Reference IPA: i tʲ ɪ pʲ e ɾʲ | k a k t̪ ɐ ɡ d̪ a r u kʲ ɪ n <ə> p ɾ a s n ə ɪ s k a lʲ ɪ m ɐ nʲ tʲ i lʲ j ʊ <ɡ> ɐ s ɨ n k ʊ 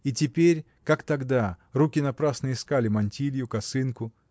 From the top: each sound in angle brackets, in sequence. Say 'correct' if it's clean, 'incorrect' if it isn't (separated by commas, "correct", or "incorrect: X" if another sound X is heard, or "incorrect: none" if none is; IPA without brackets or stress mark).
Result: incorrect: ɐ, incorrect: k